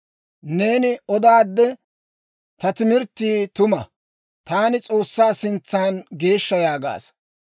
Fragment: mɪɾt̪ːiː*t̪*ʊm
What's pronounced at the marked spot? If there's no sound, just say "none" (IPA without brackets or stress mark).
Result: t̪